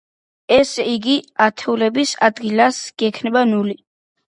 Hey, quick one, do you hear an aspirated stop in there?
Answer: yes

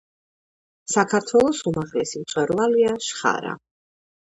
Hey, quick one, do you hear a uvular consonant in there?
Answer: yes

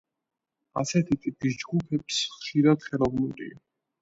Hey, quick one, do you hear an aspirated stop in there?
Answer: yes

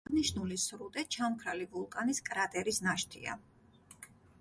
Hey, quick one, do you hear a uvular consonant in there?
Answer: no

